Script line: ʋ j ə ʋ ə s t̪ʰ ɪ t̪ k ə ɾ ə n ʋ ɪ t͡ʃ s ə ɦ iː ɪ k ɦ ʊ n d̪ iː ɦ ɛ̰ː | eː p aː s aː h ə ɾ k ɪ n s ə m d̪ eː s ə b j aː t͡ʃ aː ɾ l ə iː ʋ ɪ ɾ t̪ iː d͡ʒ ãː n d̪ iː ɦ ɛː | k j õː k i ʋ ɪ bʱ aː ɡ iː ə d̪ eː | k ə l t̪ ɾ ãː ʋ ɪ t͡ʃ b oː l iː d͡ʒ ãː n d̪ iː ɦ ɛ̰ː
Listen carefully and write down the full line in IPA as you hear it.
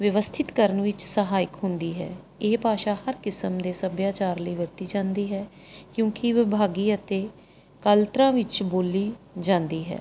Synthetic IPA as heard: ʋ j ə ʋ ə s t̪ʰ ɪ t̪ k ə ɾ ə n ʋ ɪ t͡ʃ s ə ɦ aː ɪ k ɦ ʊ n d̪ iː ɦ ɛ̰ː | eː p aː ʃ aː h ə ɾ k ɪ s ə m d̪ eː s ə b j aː t͡ʃ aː ɾ l ə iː ʋ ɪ ɾ t̪ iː d͡ʒ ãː n d̪ iː ɦ ɛː | k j õː k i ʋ ɪ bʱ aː ɡ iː ə t̪ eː | k ə l t̪ ɾ ãː ʋ ɪ t͡ʃ b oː l iː d͡ʒ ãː n d̪ iː ɦ ɛ̰ː

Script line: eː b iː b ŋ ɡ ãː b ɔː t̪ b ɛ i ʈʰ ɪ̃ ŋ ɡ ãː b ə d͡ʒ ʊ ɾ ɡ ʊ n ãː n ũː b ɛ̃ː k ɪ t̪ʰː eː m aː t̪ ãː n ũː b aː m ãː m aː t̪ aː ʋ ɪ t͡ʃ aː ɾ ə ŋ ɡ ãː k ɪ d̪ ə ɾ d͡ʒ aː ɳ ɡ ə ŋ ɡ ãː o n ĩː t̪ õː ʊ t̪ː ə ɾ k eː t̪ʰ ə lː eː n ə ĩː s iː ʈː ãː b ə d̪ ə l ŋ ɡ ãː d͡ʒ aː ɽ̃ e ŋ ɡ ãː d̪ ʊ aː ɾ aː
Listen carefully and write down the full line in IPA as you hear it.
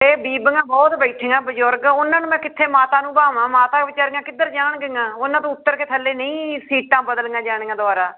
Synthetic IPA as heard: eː b iː b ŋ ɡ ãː b ɔː t̪ b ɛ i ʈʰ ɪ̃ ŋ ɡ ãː b ə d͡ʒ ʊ ɾ ɡ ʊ n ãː n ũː m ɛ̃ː k ɪ t̪ʰː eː m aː t̪ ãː n ũː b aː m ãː m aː t̪ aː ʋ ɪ t͡ʃ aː ɾ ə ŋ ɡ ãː k ɪ d̪ ə ɾ d͡ʒ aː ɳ ɡ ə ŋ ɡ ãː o n ãː t̪ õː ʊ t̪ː ə ɾ k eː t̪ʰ ə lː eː n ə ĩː s iː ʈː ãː b ə d̪ ə l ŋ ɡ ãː d͡ʒ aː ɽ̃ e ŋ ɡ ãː d̪ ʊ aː ɾ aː

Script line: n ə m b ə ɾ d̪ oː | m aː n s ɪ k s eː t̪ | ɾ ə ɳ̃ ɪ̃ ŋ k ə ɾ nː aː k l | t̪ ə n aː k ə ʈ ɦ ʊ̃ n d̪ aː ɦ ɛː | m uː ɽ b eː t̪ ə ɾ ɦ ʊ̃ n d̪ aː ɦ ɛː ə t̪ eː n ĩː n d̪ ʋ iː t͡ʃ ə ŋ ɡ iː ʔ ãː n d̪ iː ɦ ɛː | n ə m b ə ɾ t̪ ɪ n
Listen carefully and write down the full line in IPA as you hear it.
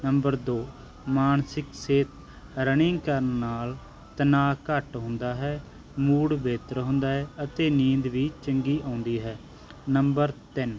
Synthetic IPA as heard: n ə m b ə ɾ d̪ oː | m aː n s ɪ k s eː t̪ | ɾ ə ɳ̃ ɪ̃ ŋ k ə ɾ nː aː l | t̪ ə n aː k ə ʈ ɦ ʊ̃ n d̪ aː ɦ ɛː | m uː ɽ b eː t̪ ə ɾ ɦ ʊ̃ n d̪ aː ɦ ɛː ə t̪ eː n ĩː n d̪ ʋ iː t͡ʃ ə ŋ ɡ iː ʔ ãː n d̪ iː ɦ ɛː | n ə m b ə ɾ t̪ ɪ n

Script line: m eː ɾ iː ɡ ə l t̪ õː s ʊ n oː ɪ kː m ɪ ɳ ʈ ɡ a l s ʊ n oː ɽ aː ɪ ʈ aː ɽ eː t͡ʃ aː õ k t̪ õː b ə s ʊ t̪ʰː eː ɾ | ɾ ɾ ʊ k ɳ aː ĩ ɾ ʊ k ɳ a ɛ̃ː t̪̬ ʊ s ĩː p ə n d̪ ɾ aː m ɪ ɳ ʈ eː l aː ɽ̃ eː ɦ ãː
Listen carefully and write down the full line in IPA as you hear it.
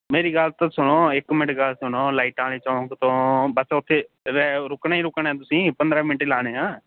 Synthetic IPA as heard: m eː ɾ iː ɡ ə l t̪ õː s ʊ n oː ɪ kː m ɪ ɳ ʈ ɡ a l s ʊ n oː l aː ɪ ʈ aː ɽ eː t͡ʃ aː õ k t̪ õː b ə s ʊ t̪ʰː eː | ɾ ɾ ʊ k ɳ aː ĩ ɾ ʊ k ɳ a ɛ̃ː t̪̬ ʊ s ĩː p ə n d̪ ɾ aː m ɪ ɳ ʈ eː l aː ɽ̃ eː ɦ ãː

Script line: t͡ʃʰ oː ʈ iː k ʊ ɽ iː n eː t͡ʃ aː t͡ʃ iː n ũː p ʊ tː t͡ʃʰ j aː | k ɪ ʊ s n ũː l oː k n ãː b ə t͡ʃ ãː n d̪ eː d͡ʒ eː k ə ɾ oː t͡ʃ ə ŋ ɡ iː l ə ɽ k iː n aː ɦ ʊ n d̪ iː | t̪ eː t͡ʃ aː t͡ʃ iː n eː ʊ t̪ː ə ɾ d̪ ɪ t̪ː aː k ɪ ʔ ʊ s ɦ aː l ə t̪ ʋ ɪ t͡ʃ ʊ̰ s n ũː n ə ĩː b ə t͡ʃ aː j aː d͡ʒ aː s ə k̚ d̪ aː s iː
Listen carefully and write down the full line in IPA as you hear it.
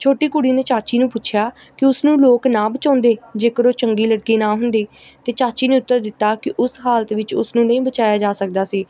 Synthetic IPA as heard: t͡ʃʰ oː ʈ iː k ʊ ɽ iː n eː t͡ʃ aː t͡ʃ iː n ũː p ʊ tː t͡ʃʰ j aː | k ɪ ʊ s n ũː l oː k n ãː b ə t͡ʃ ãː n d̪ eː d͡ʒ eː k ə ɾ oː t͡ʃ ə ŋ ɡ iː l ə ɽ k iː n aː ɦ ʊ n d̪ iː | t̪ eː t͡ʃ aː t͡ʃ iː n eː ʊ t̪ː ə ɾ d̪ ɪ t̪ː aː k ɪ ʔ ʊ s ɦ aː l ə t̪ ʋ ɪ t͡ʃ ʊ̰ s n ũː n ə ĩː b ə t͡ʃ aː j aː d͡ʒ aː s ə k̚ d̪ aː s iː

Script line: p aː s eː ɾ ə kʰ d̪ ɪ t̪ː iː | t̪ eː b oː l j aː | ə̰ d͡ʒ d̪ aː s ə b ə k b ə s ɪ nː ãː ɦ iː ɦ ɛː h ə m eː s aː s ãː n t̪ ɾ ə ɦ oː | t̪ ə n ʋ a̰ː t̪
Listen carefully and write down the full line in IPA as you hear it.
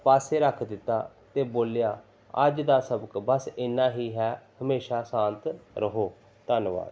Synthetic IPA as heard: p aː s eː ɾ ə kʰ d̪ ɪ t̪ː aː | t̪ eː b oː l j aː | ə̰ d͡ʒ d̪ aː s ə b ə k b ə s ɪ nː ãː ɦ iː ɦ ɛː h ə m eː ʃ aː s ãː n t̪ ɾ ə ɦ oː | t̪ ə n ʋ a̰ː d̪

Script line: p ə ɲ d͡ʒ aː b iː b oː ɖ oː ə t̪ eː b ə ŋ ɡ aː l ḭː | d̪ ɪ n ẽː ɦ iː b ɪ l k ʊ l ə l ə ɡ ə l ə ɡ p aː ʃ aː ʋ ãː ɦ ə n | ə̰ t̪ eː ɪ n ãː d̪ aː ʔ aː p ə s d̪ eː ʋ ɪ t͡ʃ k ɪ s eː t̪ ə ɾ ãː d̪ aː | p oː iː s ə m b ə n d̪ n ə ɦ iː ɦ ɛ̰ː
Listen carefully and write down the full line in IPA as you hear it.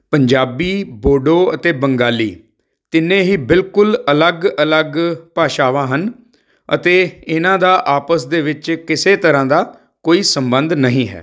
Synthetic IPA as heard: p ə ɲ d͡ʒ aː b iː b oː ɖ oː ə t̪ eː b ə ŋ ɡ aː l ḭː | t̪ ɪ n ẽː ɦ iː b ɪ l k ʊ l ə l ə ɡ ə l ə ɡ p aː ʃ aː ʋ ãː ɦ ə n | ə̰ t̪ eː ɪ n ãː d̪ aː ʔ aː p ə s d̪ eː ʋ ɪ t͡ʃ k ɪ s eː t̪ ə ɾ ãː d̪ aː | k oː iː s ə m b ə n d̪ n ə ɦ ĩː ɦ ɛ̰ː

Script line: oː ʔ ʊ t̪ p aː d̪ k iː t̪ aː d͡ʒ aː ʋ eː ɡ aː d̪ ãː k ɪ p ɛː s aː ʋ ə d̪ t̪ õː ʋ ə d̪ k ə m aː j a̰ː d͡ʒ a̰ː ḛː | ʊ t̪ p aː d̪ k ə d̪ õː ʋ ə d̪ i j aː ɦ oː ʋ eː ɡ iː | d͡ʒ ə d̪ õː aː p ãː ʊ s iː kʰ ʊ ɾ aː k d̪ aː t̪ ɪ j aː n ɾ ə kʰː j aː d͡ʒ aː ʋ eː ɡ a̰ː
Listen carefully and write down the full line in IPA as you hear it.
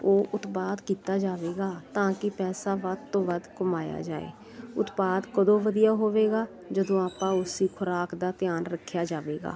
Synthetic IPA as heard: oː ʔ ʊ t̪ p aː d̪ k iː t̪ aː d͡ʒ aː ʋ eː ɡ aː t̪ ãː k ɪ p ɛː s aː ʋ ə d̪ t̪ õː ʋ ə d̪ k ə m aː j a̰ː d͡ʒ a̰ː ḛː | ʊ t̪ p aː d̪ k ə d̪ õː ʋ ə d̪ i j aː ɦ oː ʋ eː ɡ aː | d͡ʒ ə d̪ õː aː p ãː ʊ s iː kʰ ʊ ɾ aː k d̪ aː t̪ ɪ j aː n ɾ ə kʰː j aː d͡ʒ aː ʋ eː ɡ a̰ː

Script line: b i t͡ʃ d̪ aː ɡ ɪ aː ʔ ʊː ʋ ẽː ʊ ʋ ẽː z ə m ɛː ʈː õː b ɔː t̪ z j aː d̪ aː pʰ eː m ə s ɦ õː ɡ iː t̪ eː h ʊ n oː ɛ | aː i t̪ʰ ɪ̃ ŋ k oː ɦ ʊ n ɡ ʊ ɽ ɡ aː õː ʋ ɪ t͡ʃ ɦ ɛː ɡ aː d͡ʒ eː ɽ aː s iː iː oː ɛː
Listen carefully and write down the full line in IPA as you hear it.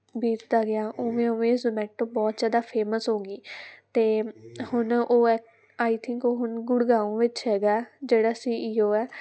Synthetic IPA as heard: b iː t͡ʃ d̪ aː ɡ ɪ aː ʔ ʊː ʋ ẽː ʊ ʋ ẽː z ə m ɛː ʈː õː b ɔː t̪ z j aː d̪ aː pʰ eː m ə s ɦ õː ɡ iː t̪ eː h ʊ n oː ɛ | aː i t̪ʰ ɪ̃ ŋ k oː ɦ ʊ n ɡ ʊ ɽ ɡ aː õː ʋ ɪ t͡ʃ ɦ ɛː ɡ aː d͡ʒ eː ɽ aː s iː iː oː ɛː

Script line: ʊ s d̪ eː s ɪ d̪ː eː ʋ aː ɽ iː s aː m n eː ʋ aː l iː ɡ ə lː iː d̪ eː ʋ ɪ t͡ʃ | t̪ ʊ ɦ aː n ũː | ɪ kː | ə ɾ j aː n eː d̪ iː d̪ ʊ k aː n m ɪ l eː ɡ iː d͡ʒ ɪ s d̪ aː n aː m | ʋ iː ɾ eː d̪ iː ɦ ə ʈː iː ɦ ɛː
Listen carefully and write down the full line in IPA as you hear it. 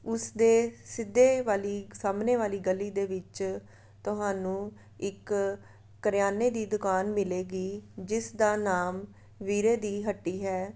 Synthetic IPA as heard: ʊ s d̪ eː s ɪ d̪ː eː ʋ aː l iː s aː m n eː ʋ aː l iː ɡ ə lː iː d̪ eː ʋ ɪ t͡ʃ | t̪ ʊ ɦ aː n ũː | ɪ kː | ə ɾ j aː n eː d̪ iː d̪ ʊ k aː n m ɪ l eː ɡ iː d͡ʒ ɪ s d̪ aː n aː m | ʋ iː ɾ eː d̪ iː ɦ ə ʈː iː ɦ ɛː

